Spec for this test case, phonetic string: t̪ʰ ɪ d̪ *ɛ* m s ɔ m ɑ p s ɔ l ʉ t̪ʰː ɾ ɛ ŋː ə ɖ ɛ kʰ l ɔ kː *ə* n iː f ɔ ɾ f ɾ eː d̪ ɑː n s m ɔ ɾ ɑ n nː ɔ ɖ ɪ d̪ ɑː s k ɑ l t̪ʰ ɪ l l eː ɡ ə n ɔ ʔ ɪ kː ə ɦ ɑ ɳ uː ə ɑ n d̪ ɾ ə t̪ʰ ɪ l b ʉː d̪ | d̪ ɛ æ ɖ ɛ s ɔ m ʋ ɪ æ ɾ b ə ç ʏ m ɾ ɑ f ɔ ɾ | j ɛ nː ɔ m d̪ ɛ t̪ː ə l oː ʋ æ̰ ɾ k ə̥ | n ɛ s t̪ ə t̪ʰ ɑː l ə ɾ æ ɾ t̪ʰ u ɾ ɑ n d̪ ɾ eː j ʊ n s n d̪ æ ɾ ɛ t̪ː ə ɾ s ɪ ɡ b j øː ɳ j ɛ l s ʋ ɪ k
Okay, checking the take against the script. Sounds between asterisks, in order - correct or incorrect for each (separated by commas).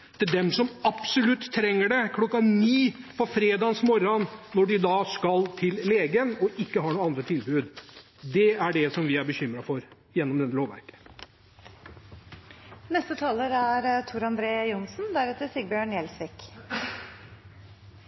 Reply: correct, incorrect